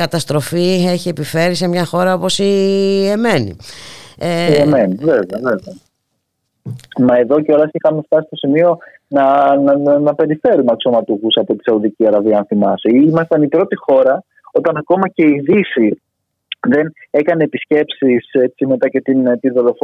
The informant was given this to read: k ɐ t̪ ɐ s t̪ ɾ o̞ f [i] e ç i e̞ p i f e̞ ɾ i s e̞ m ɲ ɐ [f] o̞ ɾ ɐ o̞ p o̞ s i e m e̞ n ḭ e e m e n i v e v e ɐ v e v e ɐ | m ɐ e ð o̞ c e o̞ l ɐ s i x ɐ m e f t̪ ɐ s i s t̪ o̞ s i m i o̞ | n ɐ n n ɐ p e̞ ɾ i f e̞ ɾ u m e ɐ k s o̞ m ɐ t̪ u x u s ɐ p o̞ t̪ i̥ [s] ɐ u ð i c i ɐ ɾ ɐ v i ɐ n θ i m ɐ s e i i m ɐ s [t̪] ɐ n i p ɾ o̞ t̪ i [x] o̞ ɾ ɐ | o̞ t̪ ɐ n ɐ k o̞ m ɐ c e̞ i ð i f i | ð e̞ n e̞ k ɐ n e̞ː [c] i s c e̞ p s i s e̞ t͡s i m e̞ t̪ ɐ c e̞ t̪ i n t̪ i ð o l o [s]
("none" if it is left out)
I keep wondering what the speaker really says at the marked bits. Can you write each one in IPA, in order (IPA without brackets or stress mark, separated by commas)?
i, x, s, t̪, x, p, f